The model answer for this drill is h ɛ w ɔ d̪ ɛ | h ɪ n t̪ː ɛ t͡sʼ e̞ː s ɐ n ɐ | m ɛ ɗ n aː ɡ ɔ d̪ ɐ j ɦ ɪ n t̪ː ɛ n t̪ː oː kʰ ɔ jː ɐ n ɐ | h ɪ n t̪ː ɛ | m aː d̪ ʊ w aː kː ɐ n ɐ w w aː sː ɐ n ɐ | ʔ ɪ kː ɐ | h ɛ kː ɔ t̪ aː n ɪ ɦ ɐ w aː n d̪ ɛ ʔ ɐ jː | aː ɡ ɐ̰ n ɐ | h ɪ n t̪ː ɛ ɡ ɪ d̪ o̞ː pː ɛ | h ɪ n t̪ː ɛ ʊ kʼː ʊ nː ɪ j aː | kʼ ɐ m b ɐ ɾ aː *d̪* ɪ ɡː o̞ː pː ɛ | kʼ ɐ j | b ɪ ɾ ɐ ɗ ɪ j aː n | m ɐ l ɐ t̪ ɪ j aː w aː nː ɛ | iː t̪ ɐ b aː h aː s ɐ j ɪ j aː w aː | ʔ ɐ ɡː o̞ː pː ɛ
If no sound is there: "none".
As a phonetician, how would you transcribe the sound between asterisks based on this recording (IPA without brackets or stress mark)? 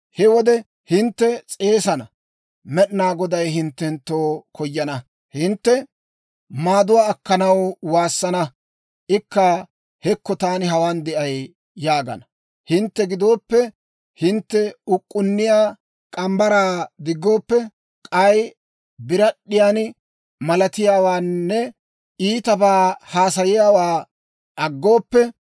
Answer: d̪